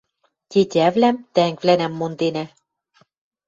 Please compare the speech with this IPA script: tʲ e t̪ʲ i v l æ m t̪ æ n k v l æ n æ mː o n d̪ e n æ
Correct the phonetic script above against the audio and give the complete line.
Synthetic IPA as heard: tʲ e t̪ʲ æ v l æ m t̪ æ ŋ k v l æ n æ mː o n d̪ e n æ